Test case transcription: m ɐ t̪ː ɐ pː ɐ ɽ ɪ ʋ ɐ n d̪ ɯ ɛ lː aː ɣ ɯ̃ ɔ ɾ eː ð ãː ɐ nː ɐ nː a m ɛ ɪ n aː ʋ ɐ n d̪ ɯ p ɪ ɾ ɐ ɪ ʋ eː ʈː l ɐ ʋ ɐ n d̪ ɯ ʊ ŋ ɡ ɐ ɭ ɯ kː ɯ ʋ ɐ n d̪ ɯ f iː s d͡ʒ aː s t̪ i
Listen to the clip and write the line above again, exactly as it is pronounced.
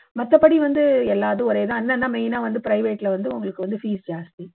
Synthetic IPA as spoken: m ɐ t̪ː ɐ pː ɐ ɽ i ʋ ɐ n d̪ ɯ ɛ lː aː ð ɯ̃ ɔ ɾ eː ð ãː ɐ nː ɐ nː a m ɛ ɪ n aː ʋ ɐ n d̪ ɯ p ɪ ɾ ɐ ɪ ʋ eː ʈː l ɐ ʋ ɐ n d̪ ɯ ʊ ŋ ɡ ɐ ɭ ɯ kː ɯ ʋ ɐ n d̪ ɯ f iː s d͡ʒ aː s t̪ i